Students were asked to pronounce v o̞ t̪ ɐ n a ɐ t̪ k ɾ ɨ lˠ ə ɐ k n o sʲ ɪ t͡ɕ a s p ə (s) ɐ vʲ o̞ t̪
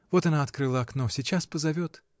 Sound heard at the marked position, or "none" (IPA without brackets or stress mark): z